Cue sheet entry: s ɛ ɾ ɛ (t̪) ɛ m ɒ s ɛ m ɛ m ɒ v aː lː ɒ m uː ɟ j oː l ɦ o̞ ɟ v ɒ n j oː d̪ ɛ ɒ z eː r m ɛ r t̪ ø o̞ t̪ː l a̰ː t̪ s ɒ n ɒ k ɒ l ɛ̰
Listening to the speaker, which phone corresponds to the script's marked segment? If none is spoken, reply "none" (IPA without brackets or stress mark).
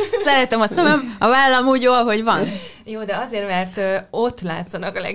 t̪